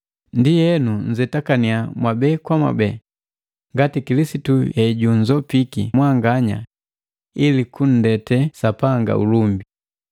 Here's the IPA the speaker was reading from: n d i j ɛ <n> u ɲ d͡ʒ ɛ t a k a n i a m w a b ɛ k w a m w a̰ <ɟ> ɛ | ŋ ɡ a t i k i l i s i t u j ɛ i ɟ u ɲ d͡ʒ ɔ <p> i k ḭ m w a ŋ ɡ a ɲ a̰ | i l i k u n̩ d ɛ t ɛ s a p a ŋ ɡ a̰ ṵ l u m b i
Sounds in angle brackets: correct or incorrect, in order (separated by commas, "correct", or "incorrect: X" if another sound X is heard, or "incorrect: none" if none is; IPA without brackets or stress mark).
correct, incorrect: b, correct